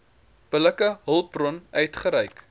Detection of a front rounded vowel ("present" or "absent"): present